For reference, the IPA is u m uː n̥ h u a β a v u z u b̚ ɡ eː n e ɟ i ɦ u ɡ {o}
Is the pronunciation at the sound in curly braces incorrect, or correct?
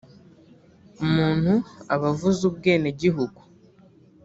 incorrect